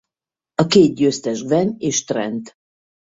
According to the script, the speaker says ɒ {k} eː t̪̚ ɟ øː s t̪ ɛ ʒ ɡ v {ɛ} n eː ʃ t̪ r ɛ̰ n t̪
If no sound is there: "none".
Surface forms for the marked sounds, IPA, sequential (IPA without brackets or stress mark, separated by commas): k, ɛ